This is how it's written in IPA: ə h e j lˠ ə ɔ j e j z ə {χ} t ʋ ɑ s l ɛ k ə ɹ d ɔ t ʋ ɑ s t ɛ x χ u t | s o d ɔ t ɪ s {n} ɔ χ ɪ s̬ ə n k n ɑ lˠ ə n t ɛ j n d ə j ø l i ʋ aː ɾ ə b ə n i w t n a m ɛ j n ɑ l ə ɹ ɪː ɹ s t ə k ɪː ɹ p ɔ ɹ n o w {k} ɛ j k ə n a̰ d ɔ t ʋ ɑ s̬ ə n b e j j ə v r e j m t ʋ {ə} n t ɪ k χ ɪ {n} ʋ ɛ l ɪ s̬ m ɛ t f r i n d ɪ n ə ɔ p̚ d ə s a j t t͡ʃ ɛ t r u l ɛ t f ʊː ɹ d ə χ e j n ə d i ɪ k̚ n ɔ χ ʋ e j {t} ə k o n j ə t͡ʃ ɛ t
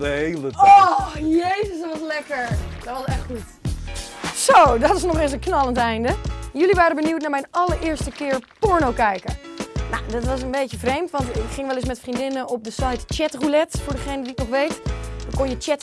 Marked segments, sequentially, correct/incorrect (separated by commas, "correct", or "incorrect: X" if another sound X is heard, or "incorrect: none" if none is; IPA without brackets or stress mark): incorrect: s, correct, correct, incorrect: ɑ, incorrect: ŋ, correct